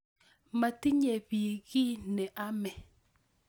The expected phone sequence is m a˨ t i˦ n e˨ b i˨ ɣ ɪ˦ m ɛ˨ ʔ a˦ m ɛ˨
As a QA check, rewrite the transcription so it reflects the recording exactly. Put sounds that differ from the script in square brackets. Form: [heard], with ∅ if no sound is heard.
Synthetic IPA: m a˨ t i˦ [ɲ] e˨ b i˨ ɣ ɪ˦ [n] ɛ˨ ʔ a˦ m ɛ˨